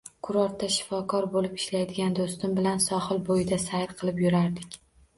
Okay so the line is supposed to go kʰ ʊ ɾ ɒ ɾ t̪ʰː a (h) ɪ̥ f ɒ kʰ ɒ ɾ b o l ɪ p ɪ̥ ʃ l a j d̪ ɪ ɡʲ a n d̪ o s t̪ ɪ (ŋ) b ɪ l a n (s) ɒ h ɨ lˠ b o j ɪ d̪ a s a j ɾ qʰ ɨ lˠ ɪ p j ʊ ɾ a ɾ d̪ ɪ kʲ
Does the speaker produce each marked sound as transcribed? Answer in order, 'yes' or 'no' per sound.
no, no, yes

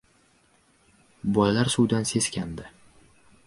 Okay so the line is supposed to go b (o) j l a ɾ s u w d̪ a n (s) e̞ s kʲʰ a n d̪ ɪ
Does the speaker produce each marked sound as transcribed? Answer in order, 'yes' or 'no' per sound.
no, yes

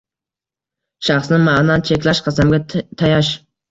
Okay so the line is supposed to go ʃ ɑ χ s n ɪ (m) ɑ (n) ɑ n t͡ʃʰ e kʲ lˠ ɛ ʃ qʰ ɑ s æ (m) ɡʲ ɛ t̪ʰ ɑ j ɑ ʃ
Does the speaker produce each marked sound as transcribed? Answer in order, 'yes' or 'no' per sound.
yes, yes, yes

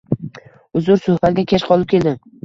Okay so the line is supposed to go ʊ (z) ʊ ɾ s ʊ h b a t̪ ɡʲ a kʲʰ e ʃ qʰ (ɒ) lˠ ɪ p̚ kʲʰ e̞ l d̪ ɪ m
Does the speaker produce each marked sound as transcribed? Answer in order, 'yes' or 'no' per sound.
yes, yes

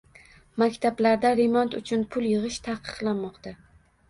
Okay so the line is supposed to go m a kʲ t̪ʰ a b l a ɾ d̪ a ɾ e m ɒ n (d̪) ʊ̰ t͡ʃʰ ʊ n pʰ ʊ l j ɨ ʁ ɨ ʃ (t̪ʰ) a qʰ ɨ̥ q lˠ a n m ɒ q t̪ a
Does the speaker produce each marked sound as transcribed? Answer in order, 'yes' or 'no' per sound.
no, yes

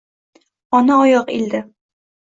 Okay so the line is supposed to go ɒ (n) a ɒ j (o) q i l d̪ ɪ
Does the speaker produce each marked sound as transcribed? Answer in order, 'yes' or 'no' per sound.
yes, no

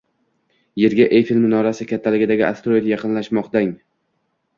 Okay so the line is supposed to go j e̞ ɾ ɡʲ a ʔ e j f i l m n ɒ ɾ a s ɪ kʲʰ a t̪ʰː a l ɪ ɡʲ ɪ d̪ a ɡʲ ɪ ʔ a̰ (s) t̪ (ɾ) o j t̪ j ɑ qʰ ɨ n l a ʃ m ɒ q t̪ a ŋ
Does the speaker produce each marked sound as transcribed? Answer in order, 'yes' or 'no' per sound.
yes, yes

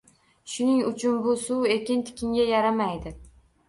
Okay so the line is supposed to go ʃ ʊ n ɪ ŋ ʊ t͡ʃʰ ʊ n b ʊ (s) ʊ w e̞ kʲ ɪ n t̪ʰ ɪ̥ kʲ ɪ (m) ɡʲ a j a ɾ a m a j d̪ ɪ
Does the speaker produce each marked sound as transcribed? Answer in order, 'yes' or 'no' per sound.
yes, no

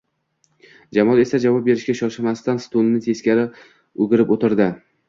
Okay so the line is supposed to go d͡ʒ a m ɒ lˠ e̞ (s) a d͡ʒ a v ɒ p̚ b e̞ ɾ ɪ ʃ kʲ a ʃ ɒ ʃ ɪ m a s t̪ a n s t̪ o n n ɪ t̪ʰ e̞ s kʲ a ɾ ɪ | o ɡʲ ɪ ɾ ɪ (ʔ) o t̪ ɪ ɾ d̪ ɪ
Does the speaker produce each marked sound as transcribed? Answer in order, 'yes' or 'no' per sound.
yes, no

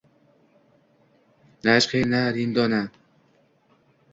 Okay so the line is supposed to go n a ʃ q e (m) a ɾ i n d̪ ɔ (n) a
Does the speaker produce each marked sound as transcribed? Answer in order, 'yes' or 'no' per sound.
no, yes

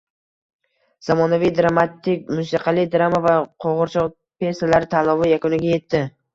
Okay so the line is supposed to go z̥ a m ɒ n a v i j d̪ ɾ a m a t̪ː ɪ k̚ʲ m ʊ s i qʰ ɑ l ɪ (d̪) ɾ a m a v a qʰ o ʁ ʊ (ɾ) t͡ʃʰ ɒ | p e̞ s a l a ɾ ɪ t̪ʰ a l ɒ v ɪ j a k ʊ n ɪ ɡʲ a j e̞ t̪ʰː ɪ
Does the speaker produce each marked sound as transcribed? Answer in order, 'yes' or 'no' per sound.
yes, yes

